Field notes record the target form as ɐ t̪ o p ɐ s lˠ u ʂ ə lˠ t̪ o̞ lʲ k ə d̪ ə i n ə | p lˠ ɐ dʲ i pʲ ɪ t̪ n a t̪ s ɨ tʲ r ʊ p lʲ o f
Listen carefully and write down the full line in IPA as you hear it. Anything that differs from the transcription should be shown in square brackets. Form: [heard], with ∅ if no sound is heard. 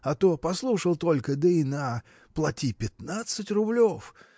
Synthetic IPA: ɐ t̪ o p ɐ s lˠ u ʂ ə lˠ t̪ o̞ lʲ k ə d̪ ə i n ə | p lˠ ɐ [tʲ] i pʲ ɪ t̪ n a t̪ s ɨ tʲ r ʊ [b] lʲ o f